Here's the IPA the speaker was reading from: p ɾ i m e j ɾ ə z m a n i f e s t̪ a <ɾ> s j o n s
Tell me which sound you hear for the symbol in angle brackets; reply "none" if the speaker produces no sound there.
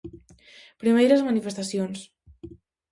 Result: none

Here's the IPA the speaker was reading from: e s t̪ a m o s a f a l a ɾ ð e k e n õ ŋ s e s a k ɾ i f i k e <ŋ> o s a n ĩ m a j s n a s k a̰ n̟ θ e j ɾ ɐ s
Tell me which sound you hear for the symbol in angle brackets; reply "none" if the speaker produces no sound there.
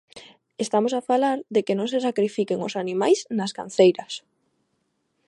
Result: ŋ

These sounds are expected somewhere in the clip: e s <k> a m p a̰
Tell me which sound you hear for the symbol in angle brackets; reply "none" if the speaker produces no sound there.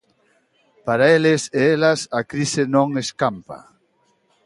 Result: k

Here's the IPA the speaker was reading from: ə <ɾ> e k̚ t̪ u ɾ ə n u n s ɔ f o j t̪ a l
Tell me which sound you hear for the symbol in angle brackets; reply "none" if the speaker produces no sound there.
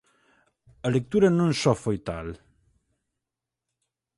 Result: l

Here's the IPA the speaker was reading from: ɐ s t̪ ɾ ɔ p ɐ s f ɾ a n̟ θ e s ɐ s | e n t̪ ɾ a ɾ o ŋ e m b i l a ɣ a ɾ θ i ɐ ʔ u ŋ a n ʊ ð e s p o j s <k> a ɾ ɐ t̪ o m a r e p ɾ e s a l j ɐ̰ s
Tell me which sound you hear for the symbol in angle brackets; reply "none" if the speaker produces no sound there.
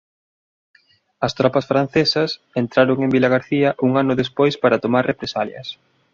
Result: p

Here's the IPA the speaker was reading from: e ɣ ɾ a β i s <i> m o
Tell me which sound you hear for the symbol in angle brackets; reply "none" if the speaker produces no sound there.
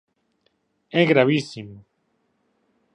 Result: i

